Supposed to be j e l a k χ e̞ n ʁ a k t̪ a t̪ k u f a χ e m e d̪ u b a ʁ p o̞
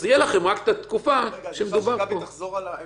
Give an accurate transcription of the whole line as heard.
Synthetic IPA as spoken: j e l a χ e̞ m ʁ a k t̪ a t̪ k u f a ʃ e m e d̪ u b a ʁ p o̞